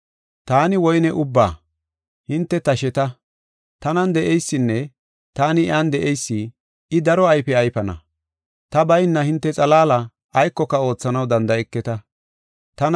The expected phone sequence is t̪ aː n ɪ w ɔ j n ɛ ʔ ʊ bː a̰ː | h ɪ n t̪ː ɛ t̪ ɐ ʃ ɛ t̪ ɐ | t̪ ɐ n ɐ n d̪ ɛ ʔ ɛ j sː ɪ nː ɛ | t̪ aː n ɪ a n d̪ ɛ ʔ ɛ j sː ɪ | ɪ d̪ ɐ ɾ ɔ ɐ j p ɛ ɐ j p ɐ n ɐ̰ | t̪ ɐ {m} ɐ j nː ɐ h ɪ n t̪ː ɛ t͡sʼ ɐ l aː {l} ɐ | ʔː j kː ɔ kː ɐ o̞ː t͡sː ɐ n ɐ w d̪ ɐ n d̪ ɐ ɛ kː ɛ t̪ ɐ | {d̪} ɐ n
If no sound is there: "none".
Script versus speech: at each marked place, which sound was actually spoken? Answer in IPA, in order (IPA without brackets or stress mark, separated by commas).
b, l, t̪